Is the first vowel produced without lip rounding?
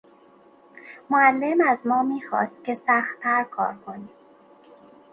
no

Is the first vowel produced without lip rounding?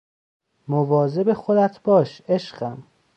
no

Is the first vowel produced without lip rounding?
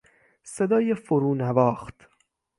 yes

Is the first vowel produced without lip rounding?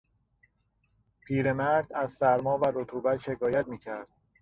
yes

